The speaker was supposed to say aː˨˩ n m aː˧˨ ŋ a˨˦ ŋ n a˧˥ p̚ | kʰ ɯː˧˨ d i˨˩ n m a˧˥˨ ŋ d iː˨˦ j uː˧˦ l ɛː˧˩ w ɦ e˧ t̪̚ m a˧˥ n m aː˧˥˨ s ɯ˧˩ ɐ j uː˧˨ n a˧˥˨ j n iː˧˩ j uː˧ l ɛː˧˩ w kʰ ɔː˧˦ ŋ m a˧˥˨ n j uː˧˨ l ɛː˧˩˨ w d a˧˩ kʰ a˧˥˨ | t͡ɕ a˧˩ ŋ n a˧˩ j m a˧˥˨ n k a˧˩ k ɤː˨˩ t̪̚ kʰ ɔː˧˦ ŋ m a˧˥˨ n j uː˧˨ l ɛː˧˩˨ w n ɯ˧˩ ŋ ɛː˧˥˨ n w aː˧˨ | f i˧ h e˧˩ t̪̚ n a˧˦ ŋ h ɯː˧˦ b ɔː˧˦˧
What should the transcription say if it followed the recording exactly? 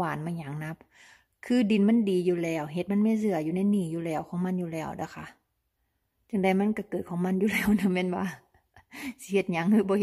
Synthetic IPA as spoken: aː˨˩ n m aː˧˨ ɲ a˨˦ ŋ n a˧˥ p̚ | kʰ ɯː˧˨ d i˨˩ n m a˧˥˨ n d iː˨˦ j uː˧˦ l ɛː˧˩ w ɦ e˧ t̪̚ m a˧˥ n m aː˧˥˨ s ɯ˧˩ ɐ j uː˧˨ n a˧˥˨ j n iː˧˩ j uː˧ l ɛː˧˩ w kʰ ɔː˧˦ ŋ m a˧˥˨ n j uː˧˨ l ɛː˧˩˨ w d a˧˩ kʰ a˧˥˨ | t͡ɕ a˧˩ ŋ d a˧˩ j m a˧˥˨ n k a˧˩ k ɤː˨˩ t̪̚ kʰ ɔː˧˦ ŋ m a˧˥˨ n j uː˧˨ l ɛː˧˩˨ w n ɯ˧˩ m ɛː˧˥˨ n w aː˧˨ | s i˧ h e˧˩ t̪̚ ɲ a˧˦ ŋ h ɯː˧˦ b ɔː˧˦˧